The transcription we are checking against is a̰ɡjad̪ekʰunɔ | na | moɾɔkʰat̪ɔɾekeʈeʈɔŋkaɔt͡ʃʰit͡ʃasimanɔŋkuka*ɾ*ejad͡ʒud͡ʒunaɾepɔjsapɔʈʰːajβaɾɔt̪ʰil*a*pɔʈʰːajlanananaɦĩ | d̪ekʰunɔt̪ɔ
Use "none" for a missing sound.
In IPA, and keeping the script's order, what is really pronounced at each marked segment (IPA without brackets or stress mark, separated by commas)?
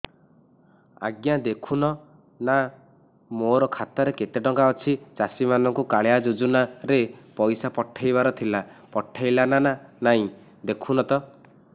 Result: ɭ, a